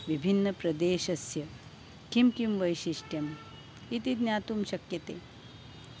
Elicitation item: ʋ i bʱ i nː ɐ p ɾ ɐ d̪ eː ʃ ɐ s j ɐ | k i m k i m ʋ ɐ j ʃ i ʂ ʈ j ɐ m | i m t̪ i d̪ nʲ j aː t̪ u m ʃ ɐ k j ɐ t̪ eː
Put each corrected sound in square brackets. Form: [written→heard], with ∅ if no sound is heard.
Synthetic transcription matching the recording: ʋ i bʱ i nː ɐ p ɾ ɐ d̪ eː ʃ ɐ s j ɐ | k i m k i m ʋ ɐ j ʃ i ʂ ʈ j ɐ m | i [m→∅] t̪ i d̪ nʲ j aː t̪ u m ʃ ɐ k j ɐ t̪ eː